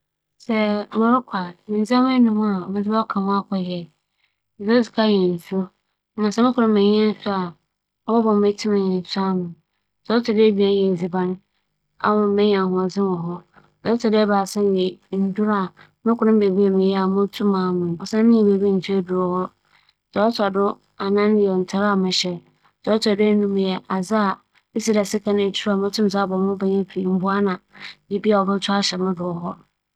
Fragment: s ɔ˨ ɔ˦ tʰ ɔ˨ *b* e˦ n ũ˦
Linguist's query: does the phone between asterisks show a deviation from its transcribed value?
yes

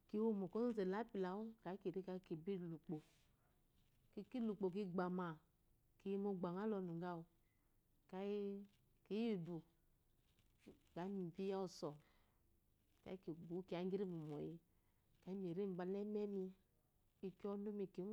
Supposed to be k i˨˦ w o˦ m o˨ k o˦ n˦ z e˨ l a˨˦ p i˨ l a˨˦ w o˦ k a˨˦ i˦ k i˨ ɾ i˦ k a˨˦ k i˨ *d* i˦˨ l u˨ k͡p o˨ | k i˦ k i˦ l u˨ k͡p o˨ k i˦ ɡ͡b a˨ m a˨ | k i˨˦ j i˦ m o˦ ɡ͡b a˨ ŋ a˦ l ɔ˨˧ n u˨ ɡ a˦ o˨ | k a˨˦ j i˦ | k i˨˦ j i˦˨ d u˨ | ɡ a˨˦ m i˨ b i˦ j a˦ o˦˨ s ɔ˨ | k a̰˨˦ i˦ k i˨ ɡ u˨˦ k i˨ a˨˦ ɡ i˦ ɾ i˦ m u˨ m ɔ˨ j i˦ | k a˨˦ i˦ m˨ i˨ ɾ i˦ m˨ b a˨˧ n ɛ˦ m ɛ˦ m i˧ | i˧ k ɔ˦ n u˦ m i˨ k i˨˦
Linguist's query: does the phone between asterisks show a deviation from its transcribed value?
yes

